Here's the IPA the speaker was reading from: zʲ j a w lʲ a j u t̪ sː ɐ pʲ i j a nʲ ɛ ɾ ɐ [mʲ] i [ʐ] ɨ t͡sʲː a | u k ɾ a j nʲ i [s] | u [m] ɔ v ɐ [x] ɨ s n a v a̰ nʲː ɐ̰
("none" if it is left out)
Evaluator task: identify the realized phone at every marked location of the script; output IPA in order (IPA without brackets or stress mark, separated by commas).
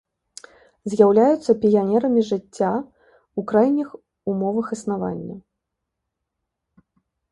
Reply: mʲ, ʐ, x, m, x